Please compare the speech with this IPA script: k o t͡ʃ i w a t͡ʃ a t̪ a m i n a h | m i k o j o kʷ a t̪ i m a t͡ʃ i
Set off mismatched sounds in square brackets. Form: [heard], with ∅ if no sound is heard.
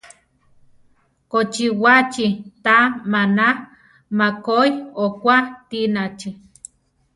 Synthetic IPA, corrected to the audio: k o t͡ʃ i w a t͡ʃ [i] t̪ a m [a] n a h | m [a] k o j o kʷ a t̪ i [n] a t͡ʃ i